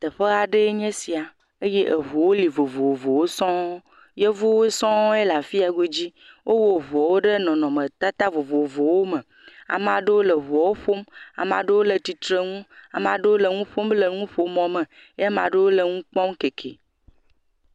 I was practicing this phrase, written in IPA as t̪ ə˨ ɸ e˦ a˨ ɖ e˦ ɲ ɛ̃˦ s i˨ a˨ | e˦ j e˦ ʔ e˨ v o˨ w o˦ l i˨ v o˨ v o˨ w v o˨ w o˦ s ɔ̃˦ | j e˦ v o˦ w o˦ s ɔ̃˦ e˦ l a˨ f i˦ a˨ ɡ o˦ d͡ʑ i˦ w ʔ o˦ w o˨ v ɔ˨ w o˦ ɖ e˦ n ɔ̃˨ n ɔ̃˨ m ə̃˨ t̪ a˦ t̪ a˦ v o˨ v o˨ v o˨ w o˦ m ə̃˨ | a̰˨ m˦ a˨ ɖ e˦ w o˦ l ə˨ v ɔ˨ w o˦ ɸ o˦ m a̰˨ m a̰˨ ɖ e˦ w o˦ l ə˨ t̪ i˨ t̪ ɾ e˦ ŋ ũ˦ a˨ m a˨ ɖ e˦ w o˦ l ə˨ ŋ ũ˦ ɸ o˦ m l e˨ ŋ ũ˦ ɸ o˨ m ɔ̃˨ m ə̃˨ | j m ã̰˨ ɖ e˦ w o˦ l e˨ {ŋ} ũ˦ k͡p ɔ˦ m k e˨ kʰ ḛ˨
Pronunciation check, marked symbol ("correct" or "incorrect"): correct